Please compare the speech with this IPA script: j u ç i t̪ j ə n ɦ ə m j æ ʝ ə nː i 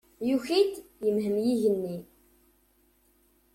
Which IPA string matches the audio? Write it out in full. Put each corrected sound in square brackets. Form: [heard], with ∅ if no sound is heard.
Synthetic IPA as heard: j u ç i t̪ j ə [m] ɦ ə m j [i] ʝ ə nː i